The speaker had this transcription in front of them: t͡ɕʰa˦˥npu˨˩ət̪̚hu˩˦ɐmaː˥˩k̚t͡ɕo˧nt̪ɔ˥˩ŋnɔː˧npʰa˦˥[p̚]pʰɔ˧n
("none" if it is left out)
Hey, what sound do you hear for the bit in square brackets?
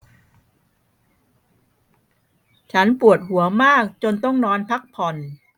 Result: k̚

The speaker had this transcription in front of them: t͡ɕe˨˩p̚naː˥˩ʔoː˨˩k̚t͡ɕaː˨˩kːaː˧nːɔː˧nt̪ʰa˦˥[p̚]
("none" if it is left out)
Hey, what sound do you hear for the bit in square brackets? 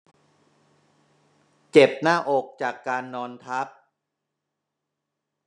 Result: p̚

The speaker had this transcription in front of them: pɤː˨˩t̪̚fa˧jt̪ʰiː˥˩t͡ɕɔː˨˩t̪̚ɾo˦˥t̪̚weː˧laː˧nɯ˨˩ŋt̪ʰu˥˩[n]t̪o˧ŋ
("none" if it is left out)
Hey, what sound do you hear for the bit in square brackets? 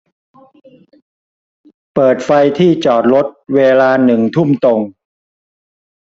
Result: m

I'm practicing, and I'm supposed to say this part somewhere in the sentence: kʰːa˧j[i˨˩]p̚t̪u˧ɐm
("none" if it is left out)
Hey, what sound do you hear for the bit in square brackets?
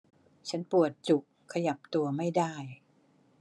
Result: a˨˩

